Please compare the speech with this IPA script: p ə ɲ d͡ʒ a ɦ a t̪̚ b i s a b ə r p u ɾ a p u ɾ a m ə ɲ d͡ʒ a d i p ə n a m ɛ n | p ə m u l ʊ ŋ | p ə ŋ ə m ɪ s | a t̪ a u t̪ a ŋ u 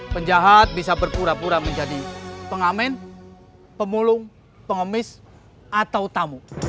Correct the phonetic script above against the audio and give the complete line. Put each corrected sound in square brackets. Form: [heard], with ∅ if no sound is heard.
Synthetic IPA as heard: p ə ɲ d͡ʒ a ɦ a t̪̚ b i s a b ə r p u ɾ a p u ɾ a m ə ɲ d͡ʒ a d i p ə [ŋ] a m ɛ n | p ə m u l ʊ ŋ | p ə ŋ ə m ɪ s | a t̪ a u t̪ a [m] u